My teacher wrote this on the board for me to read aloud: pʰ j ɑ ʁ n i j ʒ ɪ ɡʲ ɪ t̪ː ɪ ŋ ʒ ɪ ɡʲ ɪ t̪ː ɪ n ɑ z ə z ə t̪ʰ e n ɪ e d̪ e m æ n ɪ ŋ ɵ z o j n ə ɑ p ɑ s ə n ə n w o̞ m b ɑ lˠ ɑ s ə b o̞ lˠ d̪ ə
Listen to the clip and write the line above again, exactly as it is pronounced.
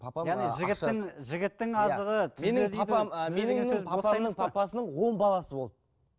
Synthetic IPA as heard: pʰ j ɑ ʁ n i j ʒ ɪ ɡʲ ɪ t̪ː ɪ ŋ ʒ ɪ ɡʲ ɪ t̪ː ɪ ŋ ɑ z ə ʁ ə t̪ʰ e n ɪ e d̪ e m e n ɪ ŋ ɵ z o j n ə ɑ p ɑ s ə n ə ɴ w o̞ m b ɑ lˠ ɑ s ə b o̞ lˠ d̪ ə